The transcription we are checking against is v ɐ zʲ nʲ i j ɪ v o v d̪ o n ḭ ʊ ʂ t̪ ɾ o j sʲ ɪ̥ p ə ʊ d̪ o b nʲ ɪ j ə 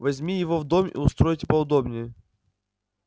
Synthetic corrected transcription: v ɐ zʲ mʲ i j ɪ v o v d̪ o m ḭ ʊ s t̪ ɾ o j tʲ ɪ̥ p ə ʊ d̪ o b nʲ ɪ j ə